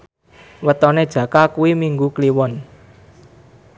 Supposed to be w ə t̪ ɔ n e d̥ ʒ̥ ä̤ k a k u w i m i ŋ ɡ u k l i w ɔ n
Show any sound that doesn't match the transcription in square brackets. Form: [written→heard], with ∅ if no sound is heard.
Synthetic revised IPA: w ə t̪ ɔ n e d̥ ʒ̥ ä̤ k a k u w i m i ŋ ɡ u k l i w ɔ n